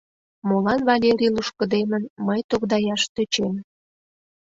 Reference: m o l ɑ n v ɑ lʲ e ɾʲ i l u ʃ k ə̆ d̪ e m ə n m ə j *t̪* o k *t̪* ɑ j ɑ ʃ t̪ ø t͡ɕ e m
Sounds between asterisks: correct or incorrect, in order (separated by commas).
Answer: correct, incorrect